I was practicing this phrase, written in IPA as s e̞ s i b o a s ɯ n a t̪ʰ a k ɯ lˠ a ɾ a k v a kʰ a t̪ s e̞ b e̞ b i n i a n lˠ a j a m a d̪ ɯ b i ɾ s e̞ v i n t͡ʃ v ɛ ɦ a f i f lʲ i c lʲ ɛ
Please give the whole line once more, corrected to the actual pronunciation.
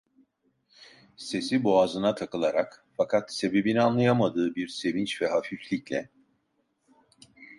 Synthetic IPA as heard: s e̞ s i b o a z ɯ n a t̪ʰ a k ɯ lˠ a ɾ a k f a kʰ a t̪ s e̞ b e̞ b i n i a n lˠ a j a m a d̪ ɯː b i ɾ s e̞ v i n t͡ʃ v ɛ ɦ a f i f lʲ i c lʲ ɛ